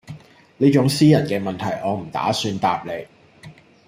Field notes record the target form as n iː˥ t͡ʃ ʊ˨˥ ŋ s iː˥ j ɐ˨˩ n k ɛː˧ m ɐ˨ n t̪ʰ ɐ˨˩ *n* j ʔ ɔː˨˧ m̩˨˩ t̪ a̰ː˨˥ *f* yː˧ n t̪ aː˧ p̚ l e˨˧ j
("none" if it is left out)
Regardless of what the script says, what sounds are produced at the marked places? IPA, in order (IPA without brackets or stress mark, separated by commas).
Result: none, s